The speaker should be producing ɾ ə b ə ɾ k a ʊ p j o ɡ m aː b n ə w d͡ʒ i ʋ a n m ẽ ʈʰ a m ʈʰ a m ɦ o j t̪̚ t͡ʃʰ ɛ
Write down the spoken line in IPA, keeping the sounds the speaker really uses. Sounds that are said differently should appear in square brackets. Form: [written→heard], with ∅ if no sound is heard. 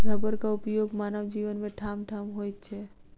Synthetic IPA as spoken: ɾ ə b ə ɾ k a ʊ p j o ɡ m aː [b→∅] n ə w d͡ʒ i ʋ [a→ə] n m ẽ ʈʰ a m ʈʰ a m ɦ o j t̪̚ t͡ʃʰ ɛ